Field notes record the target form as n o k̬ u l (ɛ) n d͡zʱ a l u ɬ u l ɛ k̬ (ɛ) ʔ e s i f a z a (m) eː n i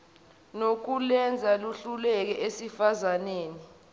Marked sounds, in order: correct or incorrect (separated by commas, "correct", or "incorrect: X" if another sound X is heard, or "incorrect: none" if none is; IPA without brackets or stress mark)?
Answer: correct, correct, incorrect: n